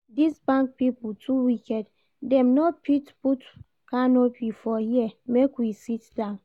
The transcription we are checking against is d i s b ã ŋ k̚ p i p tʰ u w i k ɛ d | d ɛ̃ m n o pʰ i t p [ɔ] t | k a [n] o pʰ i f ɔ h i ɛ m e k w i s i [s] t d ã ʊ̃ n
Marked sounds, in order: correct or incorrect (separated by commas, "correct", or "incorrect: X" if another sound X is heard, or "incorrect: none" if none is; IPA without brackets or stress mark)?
incorrect: u, correct, incorrect: none